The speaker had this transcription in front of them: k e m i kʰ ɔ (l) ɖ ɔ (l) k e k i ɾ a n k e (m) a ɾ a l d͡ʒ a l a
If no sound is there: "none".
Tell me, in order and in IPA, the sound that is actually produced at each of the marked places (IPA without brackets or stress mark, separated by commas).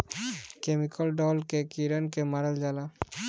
l, l, m